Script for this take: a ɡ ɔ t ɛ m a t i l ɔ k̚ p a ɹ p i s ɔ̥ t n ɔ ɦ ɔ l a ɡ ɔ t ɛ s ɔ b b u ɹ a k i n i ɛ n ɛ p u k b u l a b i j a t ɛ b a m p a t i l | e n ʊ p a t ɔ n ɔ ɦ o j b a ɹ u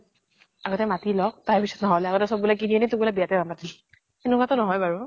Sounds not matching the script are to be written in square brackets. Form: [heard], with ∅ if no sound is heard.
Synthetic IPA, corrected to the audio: a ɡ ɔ t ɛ m a t i l ɔ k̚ [t] a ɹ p i s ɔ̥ t n ɔ ɦ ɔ l a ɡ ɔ t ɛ s ɔ b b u [l] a k i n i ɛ n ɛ [t] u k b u l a b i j a t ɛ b a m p a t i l | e n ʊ [k] a t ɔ n ɔ ɦ [ɔ] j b a ɹ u

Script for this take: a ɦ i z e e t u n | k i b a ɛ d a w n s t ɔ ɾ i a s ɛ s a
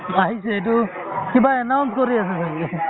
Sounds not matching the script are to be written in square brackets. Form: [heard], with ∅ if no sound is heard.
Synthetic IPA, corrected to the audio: a ɦ i [s] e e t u [∅] | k i b a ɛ [n] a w n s [k] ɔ ɾ i a s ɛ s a

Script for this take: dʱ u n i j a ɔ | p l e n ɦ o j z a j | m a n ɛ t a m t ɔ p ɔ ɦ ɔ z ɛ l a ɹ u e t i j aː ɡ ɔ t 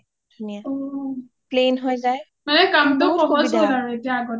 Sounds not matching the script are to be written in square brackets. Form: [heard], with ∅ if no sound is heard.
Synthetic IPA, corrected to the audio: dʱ u n i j a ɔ | p l e n ɦ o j z a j | m a n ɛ [k] a m t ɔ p ɔ ɦ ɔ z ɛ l a ɹ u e t i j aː ɡ ɔ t

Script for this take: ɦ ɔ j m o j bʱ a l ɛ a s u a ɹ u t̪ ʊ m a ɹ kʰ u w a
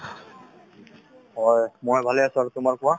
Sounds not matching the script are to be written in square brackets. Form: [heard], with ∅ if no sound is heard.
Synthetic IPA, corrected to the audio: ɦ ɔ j m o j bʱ a l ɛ a s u a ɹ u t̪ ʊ m a ɹ [k] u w a

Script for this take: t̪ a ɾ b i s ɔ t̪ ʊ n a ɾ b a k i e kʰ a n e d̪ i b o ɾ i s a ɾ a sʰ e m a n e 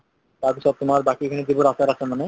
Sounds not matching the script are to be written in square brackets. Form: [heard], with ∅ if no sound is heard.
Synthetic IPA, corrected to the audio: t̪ a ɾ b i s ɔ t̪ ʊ [m] a ɾ b a k i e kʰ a n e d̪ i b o ɾ [a] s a ɾ a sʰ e m a n e

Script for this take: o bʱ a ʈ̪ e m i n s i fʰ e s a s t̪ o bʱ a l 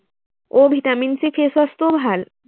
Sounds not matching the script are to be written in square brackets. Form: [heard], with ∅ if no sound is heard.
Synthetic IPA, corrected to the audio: o bʱ [i] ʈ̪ [a] m i n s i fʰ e s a s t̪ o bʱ a l

